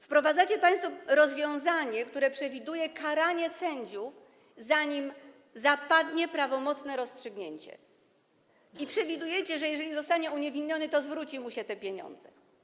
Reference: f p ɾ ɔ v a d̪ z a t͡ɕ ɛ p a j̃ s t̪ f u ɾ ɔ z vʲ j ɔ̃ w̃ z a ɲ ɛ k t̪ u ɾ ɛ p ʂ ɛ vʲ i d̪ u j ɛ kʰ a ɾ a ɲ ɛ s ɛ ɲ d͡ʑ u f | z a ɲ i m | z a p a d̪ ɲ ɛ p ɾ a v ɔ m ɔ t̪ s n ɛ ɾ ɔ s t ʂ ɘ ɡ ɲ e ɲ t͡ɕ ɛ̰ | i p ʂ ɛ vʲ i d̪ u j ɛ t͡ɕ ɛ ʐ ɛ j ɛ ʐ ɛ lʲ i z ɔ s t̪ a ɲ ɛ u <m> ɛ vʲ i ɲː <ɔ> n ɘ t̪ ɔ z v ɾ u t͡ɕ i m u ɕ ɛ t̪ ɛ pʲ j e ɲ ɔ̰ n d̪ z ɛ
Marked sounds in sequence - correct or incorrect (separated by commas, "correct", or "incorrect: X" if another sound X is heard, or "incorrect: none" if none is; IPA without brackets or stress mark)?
incorrect: ɲ, correct